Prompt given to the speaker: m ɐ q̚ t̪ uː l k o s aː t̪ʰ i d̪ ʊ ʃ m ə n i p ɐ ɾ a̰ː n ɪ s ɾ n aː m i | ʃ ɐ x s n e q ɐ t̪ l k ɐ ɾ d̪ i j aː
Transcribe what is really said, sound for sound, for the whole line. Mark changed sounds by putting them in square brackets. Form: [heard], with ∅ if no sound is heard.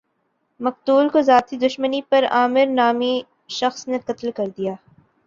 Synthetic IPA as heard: m ɐ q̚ t̪ uː l k o [z] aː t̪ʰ i d̪ ʊ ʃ m ə n i p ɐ ɾ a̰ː [m] ɪ [∅] ɾ n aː m i | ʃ ɐ x s n e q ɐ t̪ l k ɐ ɾ d̪ i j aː